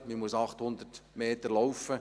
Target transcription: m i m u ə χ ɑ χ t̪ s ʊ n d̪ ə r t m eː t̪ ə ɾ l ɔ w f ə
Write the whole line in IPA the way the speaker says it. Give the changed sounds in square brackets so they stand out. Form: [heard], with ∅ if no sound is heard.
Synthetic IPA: m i m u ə [s] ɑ χ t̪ [h] ʊ n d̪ ə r t m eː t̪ ə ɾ l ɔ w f ə